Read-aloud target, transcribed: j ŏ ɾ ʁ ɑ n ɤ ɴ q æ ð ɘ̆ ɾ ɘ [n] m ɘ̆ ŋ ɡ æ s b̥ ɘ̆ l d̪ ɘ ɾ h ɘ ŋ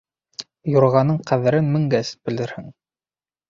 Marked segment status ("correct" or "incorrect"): correct